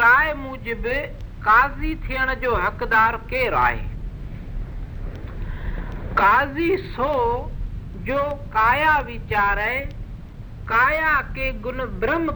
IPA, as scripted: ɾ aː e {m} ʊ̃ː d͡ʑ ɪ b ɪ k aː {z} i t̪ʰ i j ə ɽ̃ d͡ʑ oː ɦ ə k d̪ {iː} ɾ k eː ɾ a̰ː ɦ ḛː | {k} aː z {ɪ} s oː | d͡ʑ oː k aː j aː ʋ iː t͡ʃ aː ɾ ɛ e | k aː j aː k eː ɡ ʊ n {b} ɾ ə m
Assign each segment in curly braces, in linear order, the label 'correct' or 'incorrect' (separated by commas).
correct, correct, incorrect, correct, incorrect, correct